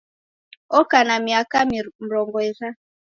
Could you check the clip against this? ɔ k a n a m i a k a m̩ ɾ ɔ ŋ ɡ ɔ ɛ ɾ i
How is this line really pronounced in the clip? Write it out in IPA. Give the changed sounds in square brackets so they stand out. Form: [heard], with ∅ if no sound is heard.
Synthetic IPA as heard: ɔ k a n a m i a k a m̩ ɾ ɔ ŋ ɡ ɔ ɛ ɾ [a]